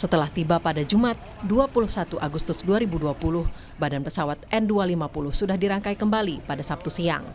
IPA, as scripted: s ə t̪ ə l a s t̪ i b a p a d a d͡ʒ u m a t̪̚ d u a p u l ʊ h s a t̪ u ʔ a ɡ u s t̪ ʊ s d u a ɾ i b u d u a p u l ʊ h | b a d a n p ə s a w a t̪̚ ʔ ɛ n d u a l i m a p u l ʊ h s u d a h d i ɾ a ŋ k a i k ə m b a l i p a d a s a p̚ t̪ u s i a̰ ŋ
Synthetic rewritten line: s ə t̪ ə l a h t̪ i b a p a d a d͡ʒ u m a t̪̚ d u a p u l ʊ h s a t̪ u ʔ a ɡ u s t̪ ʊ s d u a ɾ i b u d u a p u l ʊ h | b a d a n p ə s a w a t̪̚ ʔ ɛ n d u a l i m a p u l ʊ h s u d a h d i ɾ a ŋ k a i k ə m b a l i p a d a s a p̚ t̪ u s i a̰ ŋ

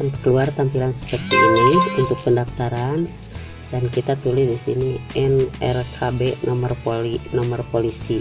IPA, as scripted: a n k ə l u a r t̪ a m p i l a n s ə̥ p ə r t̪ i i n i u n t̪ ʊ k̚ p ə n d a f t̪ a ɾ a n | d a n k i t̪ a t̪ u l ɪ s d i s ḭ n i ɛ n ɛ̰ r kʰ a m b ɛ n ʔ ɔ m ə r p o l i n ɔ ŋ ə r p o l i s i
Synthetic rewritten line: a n k ə l u a r t̪ a m p i l a n s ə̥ p ə r t̪ i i n i u n t̪ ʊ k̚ p ə n d a f t̪ a ɾ a n | d a n k i t̪ a t̪ u l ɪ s d i s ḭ n i ɛ n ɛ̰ r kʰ a b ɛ n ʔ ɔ m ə r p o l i n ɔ m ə r p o l i s i

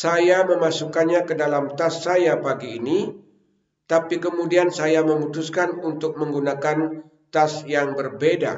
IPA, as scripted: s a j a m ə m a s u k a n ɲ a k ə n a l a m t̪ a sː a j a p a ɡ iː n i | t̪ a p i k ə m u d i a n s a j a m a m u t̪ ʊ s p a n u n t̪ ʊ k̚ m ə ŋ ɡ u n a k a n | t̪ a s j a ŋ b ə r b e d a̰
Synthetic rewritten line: s a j a m ə m a s u k a n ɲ a k ə d a l a m t̪ a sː a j a p a ɡ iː n i | t̪ a p i k ə m u d i a n s a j a m ə m u t̪ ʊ s k a n u n t̪ ʊ k̚ m ə ŋ ɡ u n a k a n | t̪ a s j a ŋ b ə r b e d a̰

